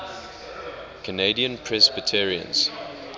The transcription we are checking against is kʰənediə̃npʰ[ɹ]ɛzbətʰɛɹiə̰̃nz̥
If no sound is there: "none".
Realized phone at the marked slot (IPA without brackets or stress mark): ɹ